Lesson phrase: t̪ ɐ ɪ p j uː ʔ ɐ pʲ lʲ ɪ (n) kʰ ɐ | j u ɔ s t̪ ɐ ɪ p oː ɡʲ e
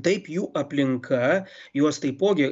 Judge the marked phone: incorrect: ŋ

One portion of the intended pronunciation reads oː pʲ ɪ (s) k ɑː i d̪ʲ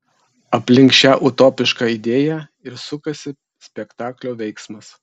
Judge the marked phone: incorrect: ʃ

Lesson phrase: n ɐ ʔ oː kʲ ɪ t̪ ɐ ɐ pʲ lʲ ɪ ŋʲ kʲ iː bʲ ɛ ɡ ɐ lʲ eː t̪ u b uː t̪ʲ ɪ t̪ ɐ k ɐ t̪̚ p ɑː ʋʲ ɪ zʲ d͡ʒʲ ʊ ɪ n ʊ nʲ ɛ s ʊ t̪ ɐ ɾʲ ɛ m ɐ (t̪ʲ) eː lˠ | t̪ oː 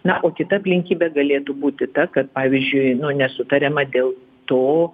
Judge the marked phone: incorrect: d̪ʲ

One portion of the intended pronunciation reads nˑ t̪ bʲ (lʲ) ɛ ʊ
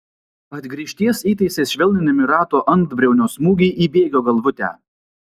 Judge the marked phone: incorrect: ɾʲ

